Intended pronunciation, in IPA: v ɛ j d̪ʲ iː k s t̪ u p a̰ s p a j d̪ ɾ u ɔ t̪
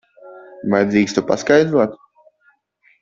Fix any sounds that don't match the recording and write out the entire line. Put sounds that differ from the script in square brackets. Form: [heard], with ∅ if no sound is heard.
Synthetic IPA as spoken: v [a] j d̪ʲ iː k s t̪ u p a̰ s [k] a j d̪ ɾ u ɔ t̪